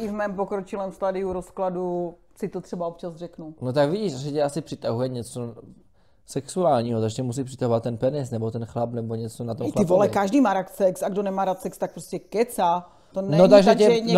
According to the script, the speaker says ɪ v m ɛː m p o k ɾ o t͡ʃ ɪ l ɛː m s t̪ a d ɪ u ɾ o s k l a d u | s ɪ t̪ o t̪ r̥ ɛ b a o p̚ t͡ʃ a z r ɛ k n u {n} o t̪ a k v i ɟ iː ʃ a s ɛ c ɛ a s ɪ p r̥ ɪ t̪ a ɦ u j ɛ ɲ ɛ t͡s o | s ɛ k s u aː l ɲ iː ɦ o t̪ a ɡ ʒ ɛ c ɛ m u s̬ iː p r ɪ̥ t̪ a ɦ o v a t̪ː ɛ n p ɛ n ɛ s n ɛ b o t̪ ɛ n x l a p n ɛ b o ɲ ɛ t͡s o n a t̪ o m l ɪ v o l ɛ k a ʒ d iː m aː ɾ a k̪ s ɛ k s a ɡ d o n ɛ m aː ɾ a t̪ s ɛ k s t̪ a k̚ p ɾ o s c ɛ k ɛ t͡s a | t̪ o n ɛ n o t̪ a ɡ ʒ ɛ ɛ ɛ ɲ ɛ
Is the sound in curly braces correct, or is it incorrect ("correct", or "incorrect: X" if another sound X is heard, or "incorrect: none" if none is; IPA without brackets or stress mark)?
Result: correct